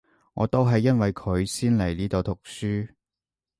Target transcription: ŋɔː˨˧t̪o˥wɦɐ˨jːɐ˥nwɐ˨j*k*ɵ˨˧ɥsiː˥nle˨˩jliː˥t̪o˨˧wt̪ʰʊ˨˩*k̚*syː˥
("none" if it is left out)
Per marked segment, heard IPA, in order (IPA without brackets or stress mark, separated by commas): kʰ, k̚